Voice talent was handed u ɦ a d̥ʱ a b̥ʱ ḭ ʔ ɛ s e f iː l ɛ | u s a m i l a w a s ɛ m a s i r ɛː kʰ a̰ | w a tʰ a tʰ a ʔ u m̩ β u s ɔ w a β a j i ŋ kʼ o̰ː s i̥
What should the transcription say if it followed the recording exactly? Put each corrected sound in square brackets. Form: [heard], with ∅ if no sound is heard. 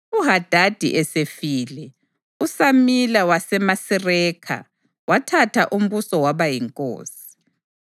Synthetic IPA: u ɦ a d̥ʱ a [d̥ʱ] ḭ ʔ ɛ s e f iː l ɛ | u s a m i l a w a s ɛ m a s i r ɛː kʰ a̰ | w a tʰ a tʰ a ʔ u m̩ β u s ɔ w a β a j i ŋ kʼ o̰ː s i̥